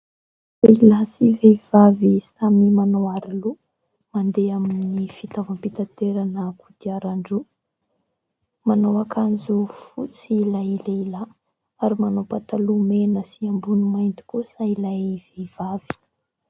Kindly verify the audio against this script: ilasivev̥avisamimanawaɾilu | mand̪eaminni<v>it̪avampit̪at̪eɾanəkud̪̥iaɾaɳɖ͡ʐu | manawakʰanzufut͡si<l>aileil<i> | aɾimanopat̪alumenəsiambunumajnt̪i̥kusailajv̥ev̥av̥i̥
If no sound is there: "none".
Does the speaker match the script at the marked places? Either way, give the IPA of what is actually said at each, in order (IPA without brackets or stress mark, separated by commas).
f, l, a